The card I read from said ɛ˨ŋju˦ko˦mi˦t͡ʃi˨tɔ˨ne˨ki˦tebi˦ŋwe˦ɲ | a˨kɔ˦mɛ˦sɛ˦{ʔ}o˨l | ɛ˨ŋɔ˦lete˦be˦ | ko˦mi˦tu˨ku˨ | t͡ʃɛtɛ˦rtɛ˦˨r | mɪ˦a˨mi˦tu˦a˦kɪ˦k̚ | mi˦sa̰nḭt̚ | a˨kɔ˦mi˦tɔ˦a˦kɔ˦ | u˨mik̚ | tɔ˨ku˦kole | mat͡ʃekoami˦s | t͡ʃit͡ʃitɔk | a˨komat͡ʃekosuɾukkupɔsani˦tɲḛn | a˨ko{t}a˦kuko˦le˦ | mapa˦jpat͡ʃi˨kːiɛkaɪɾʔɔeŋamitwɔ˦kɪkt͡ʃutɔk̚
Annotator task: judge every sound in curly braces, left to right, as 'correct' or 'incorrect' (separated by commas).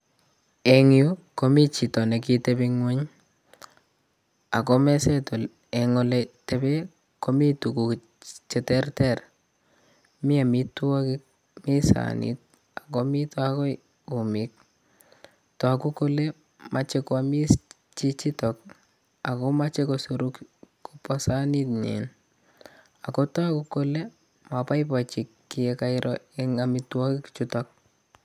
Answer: incorrect, correct